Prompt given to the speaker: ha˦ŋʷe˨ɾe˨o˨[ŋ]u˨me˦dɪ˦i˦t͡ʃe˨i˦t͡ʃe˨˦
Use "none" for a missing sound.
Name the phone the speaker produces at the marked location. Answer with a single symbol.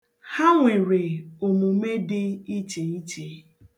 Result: m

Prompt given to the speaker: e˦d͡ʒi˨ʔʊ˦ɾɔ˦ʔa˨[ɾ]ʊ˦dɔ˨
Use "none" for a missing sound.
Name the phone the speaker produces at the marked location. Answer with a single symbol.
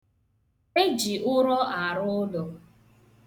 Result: ɾ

